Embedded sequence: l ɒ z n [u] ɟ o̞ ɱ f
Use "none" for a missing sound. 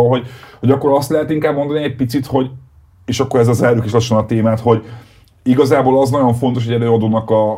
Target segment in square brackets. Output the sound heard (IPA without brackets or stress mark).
ɒ